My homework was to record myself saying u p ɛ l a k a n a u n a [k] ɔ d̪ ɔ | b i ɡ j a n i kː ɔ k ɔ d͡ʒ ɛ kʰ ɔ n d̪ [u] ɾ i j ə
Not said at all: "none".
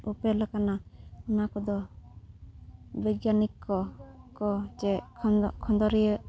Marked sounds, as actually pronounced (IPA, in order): k, ɔ

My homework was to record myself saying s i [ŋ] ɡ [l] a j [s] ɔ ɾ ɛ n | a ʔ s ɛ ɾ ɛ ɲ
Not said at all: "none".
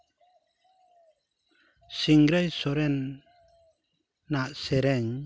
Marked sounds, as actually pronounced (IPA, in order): ŋ, ɾ, s

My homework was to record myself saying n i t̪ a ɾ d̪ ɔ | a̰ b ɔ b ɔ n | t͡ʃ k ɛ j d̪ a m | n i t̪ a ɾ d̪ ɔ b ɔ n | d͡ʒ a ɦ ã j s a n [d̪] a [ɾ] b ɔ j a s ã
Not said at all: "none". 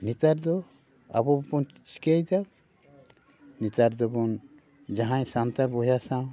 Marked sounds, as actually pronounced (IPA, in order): t̪, ɾ

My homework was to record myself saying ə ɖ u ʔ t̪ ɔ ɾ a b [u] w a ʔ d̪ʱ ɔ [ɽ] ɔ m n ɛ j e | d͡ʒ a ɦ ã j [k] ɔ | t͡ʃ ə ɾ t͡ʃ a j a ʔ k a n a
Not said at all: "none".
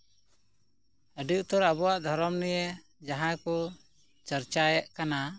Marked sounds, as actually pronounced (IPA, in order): ɔ, ɾ, k

